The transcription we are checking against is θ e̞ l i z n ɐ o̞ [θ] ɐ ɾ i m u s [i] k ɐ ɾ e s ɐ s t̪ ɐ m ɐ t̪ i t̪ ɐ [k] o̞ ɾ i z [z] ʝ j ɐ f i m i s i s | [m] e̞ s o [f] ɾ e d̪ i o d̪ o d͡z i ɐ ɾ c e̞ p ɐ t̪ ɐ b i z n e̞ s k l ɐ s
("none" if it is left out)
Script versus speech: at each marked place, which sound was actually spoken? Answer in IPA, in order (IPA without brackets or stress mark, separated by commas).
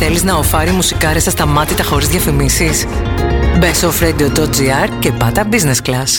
f, i, x, ð, b, f